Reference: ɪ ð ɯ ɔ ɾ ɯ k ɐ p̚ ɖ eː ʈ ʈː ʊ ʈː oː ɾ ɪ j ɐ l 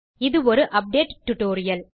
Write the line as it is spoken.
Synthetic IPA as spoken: ɪ ð ɯ ɔ ɾ ɯ ʔ ɐ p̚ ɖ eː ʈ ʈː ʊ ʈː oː ɾ ɪ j ɐ l

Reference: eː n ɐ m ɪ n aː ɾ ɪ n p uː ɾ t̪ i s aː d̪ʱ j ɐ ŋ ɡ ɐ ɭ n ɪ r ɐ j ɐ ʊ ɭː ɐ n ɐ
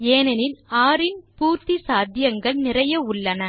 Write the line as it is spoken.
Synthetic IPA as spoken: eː n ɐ n ɪ n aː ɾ ɪ n p uː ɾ t̪ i s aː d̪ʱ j ɐ ŋ ɡ ɐ ɭ n ɪ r ɐ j ɐ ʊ ɭː ɐ n ɐ

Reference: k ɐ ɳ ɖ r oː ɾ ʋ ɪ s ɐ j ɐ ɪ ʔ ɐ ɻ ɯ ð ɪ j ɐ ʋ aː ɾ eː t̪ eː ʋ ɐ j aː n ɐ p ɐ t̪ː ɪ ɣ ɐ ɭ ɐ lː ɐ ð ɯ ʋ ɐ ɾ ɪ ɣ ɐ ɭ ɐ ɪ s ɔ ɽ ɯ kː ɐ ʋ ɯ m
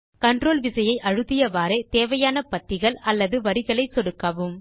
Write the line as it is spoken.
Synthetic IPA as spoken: k ɐ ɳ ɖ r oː l ʋ ɪ s ɐ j ɐ ɪ ʔ ɐ ɻ ɯ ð ɪ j ɐ ʋ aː ɾ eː t̪ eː ʋ ɐ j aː n ɐ p ɐ t̪ː ɪ ɣ ɐ ɭ ɐ lː ɐ ð ɯ ʋ ɐ ɾ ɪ ɣ ɐ ɭ ɐ ɪ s ɔ ɽ ɯ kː ɐ ʋ ɯ m

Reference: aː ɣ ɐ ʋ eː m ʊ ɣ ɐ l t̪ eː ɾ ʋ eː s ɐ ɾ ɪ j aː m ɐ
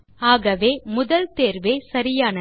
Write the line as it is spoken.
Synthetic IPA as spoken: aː ɣ ɐ ʋ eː m ʊ ð ɐ l t̪ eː ɾ ʋ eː s ɐ ɾ ɪ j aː n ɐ

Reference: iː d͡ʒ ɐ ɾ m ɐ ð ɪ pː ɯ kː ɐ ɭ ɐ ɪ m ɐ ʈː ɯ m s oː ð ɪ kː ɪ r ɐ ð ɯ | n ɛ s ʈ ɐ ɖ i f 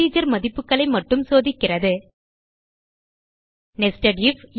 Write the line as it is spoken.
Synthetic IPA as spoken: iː d͡ʒ ɐ ɾ m ɐ ð ɪ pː ɯ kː ɐ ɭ ɐ ɪ m ɐ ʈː ɯ m s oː ð ɪ kː ɪ r ɐ ð ɯ | n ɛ s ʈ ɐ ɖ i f

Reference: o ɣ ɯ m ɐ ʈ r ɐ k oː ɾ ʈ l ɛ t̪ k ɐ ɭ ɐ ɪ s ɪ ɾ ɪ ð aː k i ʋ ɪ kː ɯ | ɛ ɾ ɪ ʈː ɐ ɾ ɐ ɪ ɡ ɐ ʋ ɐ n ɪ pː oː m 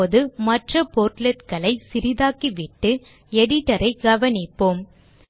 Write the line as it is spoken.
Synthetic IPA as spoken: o ð ɯ m ɐ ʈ r ɐ p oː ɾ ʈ l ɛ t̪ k ɐ ɭ ɐ ɪ s ɪ ɾ ɪ ð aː k i ʋ ɪ ʈː ɯ | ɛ ɽ ɪ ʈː ɐ ɾ ɐ ɪ ɡ ɐ ʋ ɐ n ɪ pː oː m

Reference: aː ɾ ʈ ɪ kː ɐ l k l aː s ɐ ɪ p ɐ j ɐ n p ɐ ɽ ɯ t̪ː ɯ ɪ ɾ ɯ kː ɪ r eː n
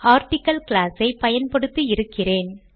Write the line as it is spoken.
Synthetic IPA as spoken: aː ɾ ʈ ɪ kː ɐ l k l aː s ɐ ɪ p ɐ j ɐ n p ɐ ɽ ɯ t̪ː ɯ ɪ ɾ ɯ kː ɪ r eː n

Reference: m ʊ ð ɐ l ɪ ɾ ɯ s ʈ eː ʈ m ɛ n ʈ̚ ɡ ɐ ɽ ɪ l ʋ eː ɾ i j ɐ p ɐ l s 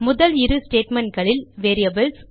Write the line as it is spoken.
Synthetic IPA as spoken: m ʊ ð ɐ l ɪ ɾ ɯ s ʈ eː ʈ m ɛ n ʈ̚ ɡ ɐ ɭ ɪ l ʋ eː ɾ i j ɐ b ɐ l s

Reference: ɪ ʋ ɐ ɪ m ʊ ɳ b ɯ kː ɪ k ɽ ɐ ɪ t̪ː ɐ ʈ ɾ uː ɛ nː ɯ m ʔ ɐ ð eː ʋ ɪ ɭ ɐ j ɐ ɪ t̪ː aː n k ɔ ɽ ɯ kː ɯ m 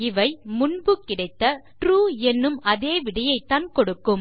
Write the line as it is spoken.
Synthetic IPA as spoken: ɪ ʋ ɐ ɪ m ʊ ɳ b ɯ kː ɪ ɽ ɐ ɪ t̪ː ɐ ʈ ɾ uː ɛ nː ɯ m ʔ ɐ ð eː ʋ ɪ ɽ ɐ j ɐ ɪ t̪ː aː n k ɔ ɽ ɯ kː ɯ m

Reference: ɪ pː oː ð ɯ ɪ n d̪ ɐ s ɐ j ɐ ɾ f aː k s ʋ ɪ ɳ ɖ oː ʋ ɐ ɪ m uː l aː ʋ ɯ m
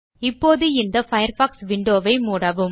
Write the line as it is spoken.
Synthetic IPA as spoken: ɪ pː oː ð ɯ ɪ n d̪ ɐ f ɐ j ɐ ɾ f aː k s ʋ ɪ ɳ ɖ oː ʋ ɐ ɪ m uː ɽ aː ʋ ɯ m

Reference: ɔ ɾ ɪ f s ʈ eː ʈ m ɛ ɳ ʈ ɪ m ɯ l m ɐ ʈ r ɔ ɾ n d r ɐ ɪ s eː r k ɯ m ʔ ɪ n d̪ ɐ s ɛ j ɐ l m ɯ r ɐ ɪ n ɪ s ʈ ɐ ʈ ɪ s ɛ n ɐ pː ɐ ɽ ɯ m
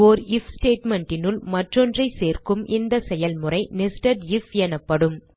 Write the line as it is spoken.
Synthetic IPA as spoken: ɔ ɾ ɪ f s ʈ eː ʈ m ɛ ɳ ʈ ɪ n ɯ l m ɐ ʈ r ɔ n d r ɐ ɪ s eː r k ɯ m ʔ ɪ n d̪ ɐ s ɛ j ɐ l m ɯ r ɐ ɪ n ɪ s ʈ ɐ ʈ ɪ f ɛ n ɐ pː ɐ ɽ ɯ m

